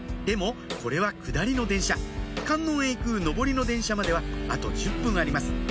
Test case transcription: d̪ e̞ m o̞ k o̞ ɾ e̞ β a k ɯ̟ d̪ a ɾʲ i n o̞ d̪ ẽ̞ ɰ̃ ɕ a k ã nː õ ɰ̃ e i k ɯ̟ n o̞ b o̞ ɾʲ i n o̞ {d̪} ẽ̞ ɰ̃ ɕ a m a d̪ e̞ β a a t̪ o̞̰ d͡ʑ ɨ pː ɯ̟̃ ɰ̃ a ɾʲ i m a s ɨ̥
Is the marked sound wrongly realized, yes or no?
no